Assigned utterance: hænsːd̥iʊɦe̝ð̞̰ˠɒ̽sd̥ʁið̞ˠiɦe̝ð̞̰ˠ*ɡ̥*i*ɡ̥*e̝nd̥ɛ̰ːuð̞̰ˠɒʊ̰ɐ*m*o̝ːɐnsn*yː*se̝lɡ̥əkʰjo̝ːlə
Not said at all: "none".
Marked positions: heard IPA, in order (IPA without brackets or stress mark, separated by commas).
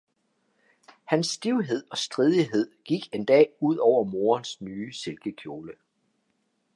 ɡ̥, ɡ̥, m, yː